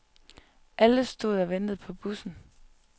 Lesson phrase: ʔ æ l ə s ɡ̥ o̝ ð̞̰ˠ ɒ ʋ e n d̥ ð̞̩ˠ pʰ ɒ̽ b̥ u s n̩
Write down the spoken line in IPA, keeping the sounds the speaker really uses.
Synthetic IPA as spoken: ʔ æ l ə s d̥ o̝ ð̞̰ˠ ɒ ʋ e n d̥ ð̞̩ˠ pʰ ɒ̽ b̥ u s n̩